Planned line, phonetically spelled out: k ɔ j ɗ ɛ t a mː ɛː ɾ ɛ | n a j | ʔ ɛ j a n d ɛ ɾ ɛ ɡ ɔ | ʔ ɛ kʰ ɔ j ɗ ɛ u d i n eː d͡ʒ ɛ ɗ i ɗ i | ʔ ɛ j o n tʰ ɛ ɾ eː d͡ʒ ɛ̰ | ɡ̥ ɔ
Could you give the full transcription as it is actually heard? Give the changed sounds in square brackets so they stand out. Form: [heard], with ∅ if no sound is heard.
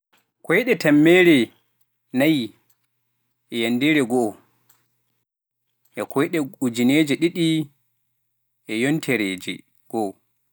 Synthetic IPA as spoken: k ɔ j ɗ ɛ t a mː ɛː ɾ ɛ | n a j | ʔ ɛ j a n d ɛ ɾ ɛ ɡ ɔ | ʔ ɛ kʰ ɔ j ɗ ɛ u [d͡ʒ] i n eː d͡ʒ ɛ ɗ i ɗ i | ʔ ɛ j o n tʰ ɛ ɾ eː d͡ʒ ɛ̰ | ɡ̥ ɔ